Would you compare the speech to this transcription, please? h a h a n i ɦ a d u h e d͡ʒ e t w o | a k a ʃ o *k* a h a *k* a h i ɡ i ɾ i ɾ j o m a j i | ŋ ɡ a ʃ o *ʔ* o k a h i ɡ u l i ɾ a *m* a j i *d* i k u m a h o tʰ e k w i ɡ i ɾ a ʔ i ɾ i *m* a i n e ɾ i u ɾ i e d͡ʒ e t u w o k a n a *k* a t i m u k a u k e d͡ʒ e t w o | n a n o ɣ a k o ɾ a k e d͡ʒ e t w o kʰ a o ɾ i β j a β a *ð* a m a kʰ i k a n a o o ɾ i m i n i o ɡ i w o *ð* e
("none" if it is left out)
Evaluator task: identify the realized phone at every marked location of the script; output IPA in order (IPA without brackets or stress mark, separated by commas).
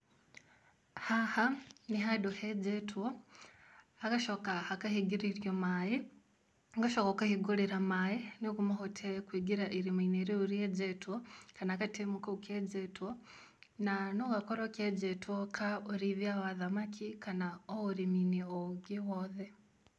k, k, k, m, n, m, k, ð, ð